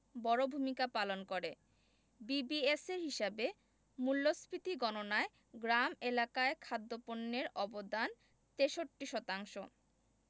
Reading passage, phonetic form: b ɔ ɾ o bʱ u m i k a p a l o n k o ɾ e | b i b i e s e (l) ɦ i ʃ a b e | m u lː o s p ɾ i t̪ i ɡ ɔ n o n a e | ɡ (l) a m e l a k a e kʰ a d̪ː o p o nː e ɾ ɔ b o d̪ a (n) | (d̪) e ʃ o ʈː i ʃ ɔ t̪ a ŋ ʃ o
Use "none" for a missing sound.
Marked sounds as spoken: ɾ, ɾ, n, t̪

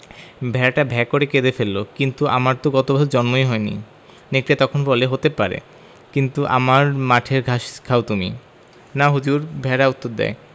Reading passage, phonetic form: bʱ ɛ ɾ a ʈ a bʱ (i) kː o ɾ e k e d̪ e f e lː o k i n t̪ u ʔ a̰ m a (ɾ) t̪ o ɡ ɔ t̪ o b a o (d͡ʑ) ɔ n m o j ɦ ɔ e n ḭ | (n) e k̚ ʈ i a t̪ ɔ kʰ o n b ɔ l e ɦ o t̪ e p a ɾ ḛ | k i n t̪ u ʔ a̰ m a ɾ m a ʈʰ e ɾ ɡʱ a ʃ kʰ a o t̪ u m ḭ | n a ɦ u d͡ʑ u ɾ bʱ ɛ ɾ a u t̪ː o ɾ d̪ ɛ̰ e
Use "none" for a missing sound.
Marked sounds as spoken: ɛ, ɾ, d͡ʑ, n

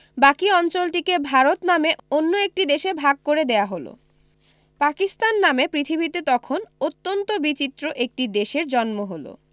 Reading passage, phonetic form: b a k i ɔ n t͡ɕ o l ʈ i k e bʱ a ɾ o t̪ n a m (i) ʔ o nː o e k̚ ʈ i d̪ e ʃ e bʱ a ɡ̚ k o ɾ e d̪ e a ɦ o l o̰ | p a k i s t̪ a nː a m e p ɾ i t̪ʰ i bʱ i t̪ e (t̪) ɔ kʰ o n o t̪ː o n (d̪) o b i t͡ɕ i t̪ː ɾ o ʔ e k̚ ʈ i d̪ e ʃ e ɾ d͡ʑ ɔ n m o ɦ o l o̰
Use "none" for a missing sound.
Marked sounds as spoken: e, t̪, t̪

